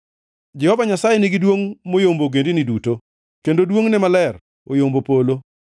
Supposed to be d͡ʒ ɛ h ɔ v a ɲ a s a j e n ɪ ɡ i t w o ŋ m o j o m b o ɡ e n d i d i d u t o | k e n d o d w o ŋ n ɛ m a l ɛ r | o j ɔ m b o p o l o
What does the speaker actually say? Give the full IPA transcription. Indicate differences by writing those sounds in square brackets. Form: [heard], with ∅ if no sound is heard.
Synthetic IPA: d͡ʒ ɛ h ɔ v a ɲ a s a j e n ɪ ɡ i [d] w o ŋ m o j o m b o ɡ e n d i [n] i d u t o | k e n d o d w o ŋ n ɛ m a l ɛ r | o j [o] m b o p o l o